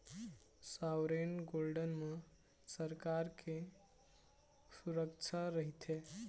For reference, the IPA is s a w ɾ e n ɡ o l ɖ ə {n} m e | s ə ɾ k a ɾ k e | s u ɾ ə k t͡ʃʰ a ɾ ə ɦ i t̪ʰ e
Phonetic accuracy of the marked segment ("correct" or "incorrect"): correct